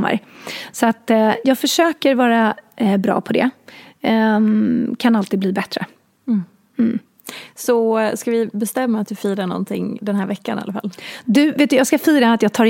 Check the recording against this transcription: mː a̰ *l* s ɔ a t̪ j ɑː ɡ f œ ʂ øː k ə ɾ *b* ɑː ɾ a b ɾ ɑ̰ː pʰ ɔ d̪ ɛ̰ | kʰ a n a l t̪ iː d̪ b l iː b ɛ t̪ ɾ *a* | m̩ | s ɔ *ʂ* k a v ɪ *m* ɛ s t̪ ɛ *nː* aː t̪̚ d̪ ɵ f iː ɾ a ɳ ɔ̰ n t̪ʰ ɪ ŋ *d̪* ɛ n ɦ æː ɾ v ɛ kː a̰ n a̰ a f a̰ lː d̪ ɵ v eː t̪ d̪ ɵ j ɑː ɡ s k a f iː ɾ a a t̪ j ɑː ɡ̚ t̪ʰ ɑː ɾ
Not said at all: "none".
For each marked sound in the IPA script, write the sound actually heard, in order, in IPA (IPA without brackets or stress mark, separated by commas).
ɾ, v, ə, s, b, mː, d̪